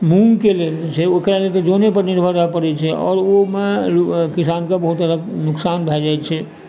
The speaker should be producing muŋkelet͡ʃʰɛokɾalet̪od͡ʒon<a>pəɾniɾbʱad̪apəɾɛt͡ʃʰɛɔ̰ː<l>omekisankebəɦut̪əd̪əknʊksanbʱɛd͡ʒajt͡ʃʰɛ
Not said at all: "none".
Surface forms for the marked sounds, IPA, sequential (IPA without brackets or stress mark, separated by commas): e, ɾ